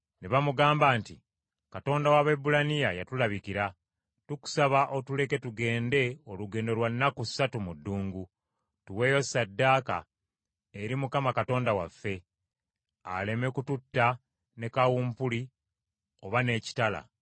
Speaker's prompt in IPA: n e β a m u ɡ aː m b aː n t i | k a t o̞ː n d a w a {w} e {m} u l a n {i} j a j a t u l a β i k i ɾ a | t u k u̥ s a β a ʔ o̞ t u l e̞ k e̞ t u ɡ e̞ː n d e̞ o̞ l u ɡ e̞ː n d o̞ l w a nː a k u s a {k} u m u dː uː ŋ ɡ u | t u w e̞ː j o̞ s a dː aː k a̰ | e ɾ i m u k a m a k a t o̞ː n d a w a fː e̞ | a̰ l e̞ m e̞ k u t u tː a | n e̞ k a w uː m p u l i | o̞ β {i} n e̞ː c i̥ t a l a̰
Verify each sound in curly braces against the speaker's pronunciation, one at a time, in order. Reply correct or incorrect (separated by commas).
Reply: incorrect, incorrect, correct, incorrect, incorrect